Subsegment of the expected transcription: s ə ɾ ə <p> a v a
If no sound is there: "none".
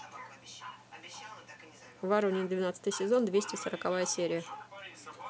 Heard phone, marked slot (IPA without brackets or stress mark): k